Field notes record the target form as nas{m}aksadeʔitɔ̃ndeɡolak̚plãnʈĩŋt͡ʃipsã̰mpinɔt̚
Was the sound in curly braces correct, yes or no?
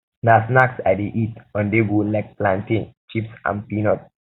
no